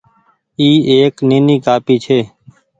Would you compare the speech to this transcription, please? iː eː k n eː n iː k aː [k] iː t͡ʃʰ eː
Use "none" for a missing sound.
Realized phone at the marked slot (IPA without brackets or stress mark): p